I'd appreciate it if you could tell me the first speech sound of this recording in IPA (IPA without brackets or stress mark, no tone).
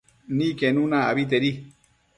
n